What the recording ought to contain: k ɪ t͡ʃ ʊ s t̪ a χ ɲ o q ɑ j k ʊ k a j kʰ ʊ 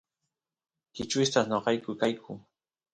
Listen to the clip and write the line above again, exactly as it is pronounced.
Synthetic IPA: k ɪ t͡ʃ ʊ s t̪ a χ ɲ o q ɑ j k ʊ k a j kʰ ʊ

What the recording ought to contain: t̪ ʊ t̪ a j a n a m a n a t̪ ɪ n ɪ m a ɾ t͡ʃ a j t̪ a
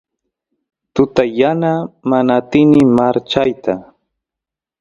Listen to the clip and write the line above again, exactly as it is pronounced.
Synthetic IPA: t̪ ʊ t̪ a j a n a m a n a t̪ ɪ n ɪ m a ɾ t͡ʃ a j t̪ a

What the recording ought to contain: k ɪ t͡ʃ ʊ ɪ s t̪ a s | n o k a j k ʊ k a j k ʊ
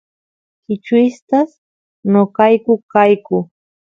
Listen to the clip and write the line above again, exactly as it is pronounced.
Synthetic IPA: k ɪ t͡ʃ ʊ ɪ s t̪ a s | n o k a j k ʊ k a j k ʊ

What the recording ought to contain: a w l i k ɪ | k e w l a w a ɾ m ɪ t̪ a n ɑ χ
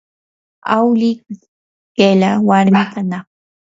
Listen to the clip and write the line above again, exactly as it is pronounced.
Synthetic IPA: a w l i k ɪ | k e l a w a ɾ m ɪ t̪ a n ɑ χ

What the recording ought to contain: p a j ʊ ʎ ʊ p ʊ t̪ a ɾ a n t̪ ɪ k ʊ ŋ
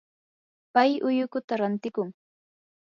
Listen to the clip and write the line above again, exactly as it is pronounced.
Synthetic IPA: p a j ʊ j ʊ k ʊ t̪ a ɾ a n t̪ ɪ k ʊ ŋ

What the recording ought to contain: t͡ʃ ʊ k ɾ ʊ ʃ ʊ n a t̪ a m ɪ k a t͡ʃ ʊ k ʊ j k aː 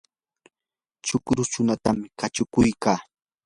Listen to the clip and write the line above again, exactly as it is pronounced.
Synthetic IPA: t͡ʃ ʊ k ɾ ʊ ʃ ʊ n a t̪ a m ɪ k a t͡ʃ ʊ k ʊ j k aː

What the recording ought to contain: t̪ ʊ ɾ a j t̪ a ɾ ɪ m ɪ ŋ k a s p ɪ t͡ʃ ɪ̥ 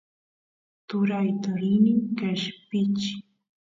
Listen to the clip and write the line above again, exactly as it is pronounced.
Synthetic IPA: t̪ ʊ ɾ a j t̪ a ɾ ɪ n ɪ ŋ k a ʃ p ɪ t͡ʃ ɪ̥

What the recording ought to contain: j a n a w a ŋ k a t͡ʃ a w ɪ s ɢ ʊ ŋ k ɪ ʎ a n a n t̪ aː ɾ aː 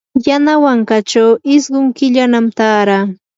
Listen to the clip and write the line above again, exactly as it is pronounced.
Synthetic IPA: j a n a w a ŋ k a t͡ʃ a w ɪ s ɢ ʊ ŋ k ɪ ʎ a n a m t̪ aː ɾ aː

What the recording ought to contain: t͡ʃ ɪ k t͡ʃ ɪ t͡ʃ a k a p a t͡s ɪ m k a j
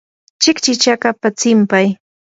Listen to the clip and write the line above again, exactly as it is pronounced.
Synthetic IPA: t͡ʃ ɪ k t͡ʃ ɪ t͡ʃ a k a p a t͡s ɪ m p a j

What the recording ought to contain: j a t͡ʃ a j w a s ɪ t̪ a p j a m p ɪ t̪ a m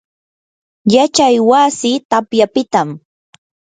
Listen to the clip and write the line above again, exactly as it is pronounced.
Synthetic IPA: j a t͡ʃ a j w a s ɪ t̪ a p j a p ɪ t̪ a m

